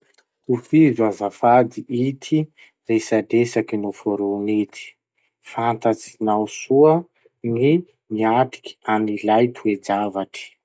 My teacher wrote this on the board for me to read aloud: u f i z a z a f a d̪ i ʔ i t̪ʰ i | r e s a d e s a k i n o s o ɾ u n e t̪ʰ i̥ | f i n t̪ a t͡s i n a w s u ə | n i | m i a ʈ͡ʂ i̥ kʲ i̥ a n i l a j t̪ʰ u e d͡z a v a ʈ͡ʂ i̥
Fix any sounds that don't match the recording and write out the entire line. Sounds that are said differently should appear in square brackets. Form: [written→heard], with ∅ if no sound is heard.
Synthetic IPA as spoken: u f i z a z a f a d̪ i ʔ i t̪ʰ i | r e s a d e s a k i n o [s→f] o ɾ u n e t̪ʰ i̥ | f [i→a] n t̪ a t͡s i n a w s u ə | n i | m i a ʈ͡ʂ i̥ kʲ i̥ a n i l a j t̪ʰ u e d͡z a v a ʈ͡ʂ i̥